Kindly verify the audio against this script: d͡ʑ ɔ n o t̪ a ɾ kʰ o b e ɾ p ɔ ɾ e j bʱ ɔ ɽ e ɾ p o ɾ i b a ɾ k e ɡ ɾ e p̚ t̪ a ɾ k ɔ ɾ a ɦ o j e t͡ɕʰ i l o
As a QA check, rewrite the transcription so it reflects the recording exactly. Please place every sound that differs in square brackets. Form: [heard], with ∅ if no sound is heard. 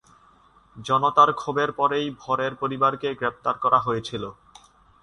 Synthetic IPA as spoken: d͡ʑ ɔ n o t̪ a ɾ kʰ o b e ɾ p ɔ ɾ e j bʱ ɔ [ɾ] e ɾ p o ɾ i b a ɾ k e ɡ ɾ e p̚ t̪ a ɾ k ɔ ɾ a ɦ o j e t͡ɕʰ i l o